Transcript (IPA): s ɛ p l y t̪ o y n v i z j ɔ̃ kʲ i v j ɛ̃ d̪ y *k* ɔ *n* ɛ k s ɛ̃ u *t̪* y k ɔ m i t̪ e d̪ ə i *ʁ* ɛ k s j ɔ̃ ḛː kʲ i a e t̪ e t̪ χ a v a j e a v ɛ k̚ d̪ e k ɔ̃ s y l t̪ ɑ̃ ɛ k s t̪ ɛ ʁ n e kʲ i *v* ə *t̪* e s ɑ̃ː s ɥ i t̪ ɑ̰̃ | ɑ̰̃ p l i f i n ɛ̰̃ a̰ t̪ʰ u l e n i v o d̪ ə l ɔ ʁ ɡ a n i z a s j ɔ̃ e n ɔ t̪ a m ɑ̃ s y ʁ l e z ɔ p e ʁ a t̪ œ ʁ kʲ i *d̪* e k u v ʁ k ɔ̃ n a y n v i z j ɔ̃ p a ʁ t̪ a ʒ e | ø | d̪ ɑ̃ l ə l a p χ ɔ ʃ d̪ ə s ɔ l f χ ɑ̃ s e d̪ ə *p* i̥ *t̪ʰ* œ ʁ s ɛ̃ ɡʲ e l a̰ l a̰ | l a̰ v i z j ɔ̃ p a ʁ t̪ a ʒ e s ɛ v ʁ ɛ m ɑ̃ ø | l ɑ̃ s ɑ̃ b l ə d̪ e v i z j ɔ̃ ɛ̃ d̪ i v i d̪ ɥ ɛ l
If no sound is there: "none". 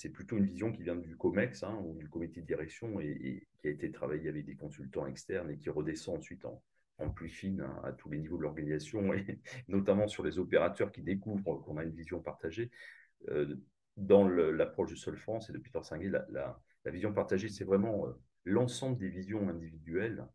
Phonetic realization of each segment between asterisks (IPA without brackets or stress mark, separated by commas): k, m, d̪, ʁ, ʁ, d̪, d̪, p, t̪